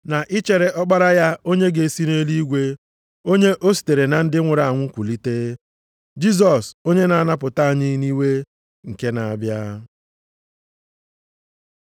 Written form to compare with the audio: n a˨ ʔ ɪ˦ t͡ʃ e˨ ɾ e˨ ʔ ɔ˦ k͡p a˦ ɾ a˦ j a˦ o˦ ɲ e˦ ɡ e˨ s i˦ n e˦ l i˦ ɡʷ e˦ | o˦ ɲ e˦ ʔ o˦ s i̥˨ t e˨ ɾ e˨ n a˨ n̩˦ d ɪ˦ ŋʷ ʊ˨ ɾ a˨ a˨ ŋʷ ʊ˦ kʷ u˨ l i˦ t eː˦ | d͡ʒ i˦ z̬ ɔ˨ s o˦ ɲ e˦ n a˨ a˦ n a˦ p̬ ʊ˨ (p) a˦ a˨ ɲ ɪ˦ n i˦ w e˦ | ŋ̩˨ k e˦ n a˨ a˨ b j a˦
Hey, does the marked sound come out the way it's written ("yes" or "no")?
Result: no